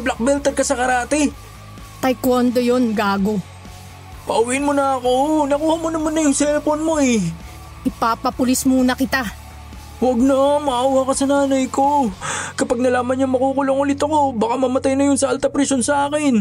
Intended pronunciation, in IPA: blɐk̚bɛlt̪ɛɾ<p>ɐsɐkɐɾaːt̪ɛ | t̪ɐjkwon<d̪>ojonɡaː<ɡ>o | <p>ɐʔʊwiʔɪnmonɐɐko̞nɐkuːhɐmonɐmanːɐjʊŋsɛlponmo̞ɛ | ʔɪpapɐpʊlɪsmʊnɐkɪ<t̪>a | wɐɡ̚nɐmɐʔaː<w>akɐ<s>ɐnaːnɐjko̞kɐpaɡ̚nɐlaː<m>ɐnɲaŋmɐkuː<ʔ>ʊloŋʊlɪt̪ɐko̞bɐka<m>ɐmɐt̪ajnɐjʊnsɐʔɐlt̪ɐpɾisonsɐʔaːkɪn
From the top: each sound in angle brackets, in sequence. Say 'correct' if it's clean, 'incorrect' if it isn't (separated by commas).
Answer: incorrect, correct, correct, correct, correct, correct, correct, correct, incorrect, correct